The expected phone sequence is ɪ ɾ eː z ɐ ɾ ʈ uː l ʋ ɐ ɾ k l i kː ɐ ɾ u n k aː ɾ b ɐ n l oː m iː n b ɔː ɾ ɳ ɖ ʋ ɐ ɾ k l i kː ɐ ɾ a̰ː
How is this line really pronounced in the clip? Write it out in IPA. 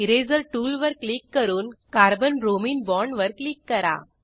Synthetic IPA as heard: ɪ ɾ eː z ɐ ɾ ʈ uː l ʋ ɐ ɾ k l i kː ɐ ɾ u n k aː ɾ b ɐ n ɾ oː m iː n b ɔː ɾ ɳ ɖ ʋ ɐ ɾ k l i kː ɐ ɾ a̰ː